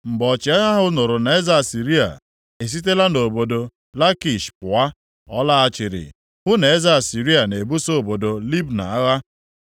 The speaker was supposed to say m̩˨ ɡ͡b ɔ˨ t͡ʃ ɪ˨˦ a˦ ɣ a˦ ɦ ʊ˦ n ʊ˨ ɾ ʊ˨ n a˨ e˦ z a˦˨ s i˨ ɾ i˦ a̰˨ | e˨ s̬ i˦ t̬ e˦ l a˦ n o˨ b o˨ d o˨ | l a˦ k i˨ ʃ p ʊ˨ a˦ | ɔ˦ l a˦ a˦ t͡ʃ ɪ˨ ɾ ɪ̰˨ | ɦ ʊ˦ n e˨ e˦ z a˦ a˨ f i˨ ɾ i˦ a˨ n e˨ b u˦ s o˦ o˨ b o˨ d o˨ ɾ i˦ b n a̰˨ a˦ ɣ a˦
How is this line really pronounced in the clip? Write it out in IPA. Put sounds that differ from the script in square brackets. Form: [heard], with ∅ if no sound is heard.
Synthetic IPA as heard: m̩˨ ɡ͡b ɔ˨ t͡ʃ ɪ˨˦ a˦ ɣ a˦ ɦ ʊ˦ n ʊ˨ ɾ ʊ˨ n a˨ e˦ z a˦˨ s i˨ ɾ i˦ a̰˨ | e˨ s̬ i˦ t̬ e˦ l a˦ n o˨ b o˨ d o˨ | l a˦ k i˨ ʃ p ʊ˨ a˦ | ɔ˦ l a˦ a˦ t͡ʃ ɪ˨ ɾ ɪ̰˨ | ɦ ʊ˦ n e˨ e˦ z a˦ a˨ [s] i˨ ɾ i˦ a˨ n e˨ b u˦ s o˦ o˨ b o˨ d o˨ [l] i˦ b n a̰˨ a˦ ɣ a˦